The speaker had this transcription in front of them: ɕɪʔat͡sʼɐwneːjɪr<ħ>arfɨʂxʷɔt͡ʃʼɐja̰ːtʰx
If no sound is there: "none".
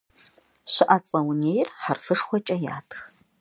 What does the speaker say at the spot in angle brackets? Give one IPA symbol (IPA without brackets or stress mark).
ħ